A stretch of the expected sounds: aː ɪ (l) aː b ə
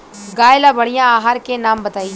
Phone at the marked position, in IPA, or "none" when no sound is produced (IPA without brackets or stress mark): l